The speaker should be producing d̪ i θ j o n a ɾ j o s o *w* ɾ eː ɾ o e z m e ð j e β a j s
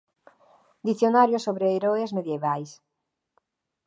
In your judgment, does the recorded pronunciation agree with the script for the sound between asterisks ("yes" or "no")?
no